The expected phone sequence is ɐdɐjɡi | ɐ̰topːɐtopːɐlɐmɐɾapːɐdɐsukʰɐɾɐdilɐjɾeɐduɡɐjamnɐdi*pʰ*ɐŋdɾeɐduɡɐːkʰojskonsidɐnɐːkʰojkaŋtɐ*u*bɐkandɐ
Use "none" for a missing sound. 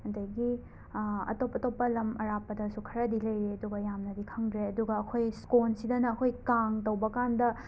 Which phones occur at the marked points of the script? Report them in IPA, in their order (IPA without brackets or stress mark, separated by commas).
kʰ, w